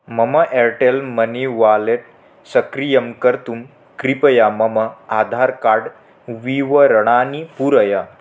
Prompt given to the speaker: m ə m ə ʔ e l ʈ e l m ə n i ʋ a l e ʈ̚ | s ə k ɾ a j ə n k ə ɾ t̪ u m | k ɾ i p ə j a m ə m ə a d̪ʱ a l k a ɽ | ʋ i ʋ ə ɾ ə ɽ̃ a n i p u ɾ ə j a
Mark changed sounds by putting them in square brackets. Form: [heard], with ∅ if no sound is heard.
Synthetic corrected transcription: m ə m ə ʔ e [ɾ] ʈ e l m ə n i ʋ a l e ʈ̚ | s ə k ɾ [i] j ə [m] k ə ɾ t̪ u m | k ɾ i p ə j a m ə m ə a d̪ʱ a [ɾ] k a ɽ | ʋ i ʋ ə ɾ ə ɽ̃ a n i p u ɾ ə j a